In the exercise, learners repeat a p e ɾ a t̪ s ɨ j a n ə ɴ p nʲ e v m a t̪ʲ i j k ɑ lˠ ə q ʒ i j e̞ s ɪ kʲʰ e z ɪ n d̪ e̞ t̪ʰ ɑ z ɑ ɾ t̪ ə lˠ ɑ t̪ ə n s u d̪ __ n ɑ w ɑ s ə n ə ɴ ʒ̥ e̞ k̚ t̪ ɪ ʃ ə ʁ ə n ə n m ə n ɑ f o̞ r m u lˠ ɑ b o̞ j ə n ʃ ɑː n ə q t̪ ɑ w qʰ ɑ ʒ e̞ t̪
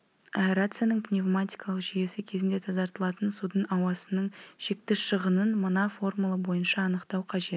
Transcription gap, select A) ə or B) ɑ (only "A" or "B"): A